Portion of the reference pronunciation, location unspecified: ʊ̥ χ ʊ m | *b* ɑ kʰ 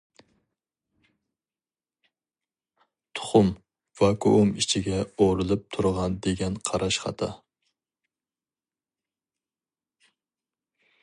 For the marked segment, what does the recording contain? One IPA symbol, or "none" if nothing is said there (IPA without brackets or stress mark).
v